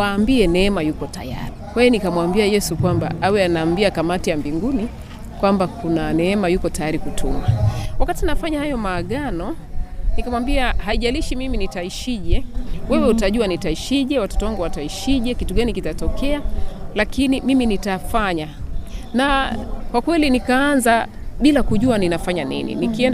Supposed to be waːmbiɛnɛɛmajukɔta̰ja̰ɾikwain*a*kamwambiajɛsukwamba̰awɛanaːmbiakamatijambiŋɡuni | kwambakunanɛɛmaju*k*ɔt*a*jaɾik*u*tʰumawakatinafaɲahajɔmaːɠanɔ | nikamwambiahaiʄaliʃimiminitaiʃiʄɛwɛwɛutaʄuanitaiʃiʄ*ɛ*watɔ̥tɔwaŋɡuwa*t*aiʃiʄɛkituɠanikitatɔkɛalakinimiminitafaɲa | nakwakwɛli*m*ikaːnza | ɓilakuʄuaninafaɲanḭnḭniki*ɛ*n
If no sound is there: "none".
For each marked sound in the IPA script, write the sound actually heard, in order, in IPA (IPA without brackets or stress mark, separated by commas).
i, k, a, u, ɛ, t, n, ɛ